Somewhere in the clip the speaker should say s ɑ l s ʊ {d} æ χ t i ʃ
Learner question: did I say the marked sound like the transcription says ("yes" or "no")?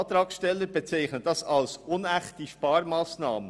no